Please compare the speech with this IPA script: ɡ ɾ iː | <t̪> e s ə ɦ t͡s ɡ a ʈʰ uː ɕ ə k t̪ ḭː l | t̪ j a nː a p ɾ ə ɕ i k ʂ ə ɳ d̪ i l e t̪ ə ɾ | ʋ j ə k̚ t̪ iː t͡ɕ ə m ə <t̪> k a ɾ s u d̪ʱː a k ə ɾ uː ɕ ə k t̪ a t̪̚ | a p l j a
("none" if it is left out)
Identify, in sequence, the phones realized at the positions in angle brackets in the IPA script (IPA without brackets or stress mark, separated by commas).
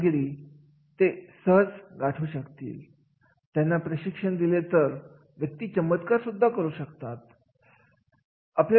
t̪, t̪